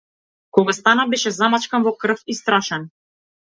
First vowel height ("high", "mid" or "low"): mid